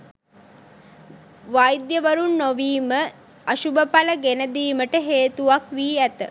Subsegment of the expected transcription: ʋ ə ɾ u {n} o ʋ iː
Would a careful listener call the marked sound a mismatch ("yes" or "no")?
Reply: yes